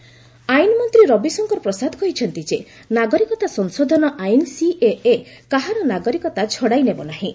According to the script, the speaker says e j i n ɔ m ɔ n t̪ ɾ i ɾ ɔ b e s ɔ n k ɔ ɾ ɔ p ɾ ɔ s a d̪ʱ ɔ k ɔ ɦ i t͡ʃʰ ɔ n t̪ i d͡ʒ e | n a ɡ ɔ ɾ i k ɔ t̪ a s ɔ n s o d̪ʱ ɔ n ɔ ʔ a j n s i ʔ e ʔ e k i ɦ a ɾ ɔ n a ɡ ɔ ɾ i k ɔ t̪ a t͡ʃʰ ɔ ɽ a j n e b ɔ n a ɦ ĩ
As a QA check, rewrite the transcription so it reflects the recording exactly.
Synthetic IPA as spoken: a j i n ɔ m ɔ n t̪ ɾ i ɾ ɔ b i s ɔ ŋ k ɔ ɾ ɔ p ɾ ɔ s a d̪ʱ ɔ k ɔ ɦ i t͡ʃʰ ɔ n t̪ i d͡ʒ e | n a ɡ ɔ ɾ i k ɔ t̪ a s ɔ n s o d̪ʱ ɔ n ɔ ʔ a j n s i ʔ e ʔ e k a ɦ a ɾ ɔ n a ɡ ɔ ɾ i k ɔ t̪ a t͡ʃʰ ɔ ɽ a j n e b ɔ n a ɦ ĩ